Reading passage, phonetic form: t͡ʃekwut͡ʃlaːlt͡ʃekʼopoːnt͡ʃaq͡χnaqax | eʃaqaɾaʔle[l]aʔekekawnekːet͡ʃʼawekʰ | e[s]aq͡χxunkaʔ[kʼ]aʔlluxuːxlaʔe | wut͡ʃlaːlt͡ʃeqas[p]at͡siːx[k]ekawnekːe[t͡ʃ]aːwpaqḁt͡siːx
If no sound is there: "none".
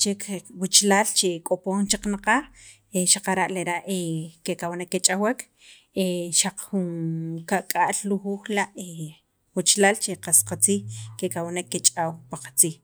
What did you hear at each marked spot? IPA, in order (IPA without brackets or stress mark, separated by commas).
ɾ, ʃ, kʼ, q, k, t͡ʃʼ